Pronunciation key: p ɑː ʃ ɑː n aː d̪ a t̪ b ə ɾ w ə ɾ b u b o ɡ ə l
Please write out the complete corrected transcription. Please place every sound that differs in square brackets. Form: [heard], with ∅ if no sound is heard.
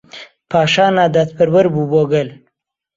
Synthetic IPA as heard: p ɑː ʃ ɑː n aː d̪ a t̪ [p] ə ɾ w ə ɾ b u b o ɡ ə l